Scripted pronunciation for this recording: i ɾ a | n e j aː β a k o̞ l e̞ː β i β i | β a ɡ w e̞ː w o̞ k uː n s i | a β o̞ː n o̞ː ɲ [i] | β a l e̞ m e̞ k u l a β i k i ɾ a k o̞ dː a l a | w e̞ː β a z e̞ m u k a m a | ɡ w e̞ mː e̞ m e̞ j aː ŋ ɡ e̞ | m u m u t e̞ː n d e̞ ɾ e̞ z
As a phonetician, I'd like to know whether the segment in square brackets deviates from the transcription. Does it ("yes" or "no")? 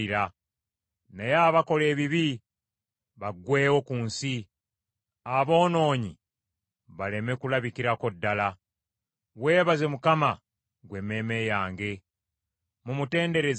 no